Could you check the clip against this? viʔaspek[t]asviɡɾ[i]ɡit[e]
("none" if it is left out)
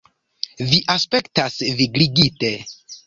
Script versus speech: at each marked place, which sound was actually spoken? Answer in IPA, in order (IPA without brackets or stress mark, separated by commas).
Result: t, i, e